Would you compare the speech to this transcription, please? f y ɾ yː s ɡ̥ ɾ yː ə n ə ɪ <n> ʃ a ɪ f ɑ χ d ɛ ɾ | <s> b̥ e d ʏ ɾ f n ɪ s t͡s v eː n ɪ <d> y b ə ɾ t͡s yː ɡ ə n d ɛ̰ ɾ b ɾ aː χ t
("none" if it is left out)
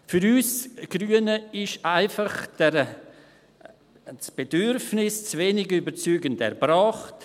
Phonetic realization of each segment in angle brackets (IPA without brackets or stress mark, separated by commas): none, s, ɡ